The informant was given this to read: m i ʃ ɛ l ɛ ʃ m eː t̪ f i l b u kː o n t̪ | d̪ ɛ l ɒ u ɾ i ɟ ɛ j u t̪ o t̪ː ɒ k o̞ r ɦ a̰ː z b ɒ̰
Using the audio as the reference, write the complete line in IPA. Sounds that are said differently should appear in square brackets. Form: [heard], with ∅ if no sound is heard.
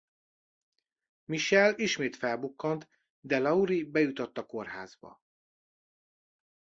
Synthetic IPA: m i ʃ ɛ l [i] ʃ m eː t̪ f [ɛ] l b u kː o n t̪ | d̪ ɛ l ɒ u ɾ i [b] ɛ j u t̪ o t̪ː ɒ k o̞ r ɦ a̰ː z b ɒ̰